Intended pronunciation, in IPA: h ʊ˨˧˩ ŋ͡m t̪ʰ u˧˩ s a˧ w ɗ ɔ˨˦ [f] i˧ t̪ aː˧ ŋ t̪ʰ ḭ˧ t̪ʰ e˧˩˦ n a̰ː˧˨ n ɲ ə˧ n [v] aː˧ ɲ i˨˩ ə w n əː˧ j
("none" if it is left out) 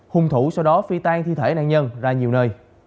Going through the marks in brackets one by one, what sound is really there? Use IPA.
f, z

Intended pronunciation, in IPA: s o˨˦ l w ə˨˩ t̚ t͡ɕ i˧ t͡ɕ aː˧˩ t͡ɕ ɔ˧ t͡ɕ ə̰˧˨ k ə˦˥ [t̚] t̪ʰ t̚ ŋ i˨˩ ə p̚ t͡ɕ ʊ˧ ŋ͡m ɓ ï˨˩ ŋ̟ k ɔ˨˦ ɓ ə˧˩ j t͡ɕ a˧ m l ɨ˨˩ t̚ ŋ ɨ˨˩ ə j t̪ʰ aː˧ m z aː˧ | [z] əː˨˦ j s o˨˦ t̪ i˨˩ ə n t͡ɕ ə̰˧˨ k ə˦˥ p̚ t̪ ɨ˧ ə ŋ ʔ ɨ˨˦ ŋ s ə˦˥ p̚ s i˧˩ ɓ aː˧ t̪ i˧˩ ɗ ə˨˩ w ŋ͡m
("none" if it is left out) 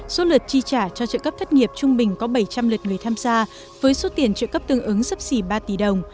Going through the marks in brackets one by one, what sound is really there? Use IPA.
p̚, v

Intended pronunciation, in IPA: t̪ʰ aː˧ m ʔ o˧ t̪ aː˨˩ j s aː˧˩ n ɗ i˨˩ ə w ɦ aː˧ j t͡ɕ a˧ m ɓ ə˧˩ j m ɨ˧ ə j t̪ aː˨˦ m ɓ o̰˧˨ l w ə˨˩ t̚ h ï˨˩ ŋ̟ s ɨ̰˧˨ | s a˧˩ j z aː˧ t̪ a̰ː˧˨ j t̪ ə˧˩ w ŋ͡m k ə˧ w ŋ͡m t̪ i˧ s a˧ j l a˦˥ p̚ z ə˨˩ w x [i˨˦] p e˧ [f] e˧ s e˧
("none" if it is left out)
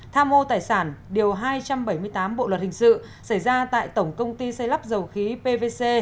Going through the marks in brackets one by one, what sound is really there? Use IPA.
i˨˦, v

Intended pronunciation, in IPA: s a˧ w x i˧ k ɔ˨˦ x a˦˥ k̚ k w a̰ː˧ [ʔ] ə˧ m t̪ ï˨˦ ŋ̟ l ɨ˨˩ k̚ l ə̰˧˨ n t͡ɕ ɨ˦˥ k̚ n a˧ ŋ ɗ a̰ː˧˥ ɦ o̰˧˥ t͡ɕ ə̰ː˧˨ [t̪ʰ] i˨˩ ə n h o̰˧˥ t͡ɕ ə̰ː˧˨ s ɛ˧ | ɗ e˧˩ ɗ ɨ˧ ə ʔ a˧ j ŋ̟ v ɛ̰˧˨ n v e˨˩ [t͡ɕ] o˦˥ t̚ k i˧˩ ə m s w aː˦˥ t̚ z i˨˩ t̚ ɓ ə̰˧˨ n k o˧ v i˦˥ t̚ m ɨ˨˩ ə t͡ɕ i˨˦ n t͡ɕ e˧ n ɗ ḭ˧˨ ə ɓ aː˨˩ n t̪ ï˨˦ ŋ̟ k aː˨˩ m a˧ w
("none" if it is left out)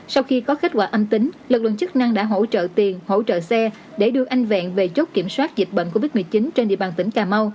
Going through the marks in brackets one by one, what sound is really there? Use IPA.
ʔ, t̪, t͡ɕ

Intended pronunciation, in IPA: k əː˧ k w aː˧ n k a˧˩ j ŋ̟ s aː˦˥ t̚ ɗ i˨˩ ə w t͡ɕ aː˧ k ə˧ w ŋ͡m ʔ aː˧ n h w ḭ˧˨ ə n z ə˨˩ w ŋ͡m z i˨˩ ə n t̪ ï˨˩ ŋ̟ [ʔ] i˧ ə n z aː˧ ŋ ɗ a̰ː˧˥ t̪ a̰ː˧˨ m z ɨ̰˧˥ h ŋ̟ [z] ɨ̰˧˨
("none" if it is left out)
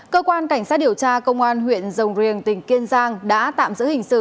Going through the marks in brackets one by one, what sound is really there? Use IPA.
k, s

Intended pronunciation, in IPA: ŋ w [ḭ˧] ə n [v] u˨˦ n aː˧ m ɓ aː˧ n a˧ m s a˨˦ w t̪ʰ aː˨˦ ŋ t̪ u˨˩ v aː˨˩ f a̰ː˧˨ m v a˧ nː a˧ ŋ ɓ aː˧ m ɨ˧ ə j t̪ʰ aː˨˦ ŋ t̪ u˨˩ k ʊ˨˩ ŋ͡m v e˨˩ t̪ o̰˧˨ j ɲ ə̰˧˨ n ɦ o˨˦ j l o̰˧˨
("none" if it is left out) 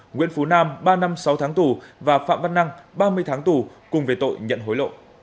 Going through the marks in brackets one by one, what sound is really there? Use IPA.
ḭ˧˥, f

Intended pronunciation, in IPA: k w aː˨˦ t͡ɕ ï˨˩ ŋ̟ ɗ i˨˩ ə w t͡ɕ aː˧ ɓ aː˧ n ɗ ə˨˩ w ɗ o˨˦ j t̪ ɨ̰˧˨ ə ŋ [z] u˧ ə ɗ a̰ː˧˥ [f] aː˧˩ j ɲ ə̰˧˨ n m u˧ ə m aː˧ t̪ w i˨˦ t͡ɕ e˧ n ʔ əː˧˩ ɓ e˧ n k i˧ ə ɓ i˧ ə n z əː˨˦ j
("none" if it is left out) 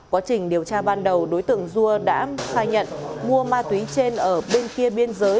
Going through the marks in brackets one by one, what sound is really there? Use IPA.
z, x

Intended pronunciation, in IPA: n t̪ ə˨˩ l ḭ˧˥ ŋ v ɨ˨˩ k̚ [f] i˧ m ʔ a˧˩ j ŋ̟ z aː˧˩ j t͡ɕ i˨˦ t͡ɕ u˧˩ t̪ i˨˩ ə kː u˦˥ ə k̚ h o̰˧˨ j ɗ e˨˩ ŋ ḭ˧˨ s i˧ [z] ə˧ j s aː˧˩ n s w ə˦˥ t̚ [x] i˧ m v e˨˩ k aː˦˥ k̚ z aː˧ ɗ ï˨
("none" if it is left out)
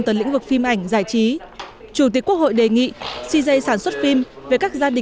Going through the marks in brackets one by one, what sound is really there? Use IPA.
f, z, f

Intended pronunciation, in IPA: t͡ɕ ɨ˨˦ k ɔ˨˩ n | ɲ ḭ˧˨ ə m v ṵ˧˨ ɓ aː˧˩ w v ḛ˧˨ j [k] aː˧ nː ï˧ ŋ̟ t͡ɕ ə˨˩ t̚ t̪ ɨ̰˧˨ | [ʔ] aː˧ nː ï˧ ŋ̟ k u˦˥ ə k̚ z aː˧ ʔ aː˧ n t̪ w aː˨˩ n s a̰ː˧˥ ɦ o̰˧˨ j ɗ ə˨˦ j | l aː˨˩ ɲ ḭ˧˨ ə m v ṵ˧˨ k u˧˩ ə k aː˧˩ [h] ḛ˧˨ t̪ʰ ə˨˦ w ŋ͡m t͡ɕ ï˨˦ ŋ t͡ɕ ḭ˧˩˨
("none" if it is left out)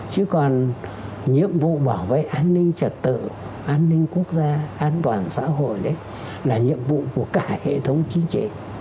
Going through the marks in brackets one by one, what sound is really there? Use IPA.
ʔ, ʔ, h

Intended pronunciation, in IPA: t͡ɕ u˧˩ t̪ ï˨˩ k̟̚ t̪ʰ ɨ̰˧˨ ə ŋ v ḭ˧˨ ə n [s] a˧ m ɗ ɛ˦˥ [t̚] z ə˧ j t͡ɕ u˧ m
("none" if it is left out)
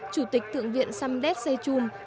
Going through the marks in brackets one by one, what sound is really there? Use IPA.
s, t̚

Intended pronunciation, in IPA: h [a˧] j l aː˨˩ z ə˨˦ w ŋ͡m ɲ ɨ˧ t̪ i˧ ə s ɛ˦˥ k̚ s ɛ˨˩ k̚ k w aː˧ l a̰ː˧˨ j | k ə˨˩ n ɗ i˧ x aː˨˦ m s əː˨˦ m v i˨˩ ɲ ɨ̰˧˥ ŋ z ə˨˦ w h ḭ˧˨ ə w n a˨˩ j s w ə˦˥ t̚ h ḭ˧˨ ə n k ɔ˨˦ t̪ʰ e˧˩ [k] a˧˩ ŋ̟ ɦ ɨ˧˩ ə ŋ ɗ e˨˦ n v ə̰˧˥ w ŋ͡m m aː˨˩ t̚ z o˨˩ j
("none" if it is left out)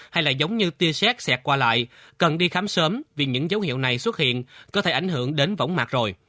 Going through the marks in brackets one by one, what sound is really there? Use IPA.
a˧, ʔ

